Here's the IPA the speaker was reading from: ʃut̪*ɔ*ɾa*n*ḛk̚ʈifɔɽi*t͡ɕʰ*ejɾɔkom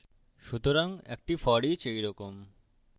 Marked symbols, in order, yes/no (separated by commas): no, no, no